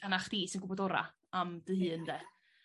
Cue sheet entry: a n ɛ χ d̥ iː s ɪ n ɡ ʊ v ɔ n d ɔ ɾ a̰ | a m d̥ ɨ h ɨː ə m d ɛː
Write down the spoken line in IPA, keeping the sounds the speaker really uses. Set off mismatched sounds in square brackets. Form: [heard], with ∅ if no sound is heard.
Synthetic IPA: a n [a] χ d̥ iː s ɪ n ɡ ʊ [b] ɔ [∅] d ɔ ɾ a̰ | a m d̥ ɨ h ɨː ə [n] d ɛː